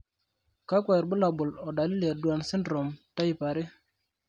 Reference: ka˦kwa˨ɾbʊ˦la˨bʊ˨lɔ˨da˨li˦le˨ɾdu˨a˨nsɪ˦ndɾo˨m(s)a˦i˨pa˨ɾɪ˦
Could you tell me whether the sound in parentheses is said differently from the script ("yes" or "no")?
yes